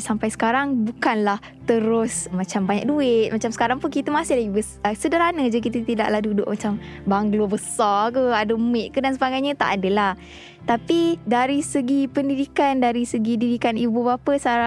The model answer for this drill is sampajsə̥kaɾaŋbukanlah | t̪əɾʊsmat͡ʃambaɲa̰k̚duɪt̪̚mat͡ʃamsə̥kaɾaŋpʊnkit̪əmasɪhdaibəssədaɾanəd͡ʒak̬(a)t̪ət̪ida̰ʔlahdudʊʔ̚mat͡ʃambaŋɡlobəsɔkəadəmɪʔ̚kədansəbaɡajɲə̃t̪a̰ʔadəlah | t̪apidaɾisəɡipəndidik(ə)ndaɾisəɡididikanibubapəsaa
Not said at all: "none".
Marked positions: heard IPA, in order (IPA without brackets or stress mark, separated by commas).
i, a